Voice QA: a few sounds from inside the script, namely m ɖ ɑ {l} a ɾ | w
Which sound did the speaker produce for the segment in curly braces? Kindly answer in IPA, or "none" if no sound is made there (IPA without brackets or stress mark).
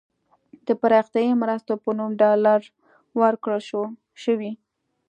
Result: l